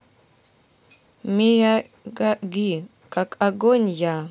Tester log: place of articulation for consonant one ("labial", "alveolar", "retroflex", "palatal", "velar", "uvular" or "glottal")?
labial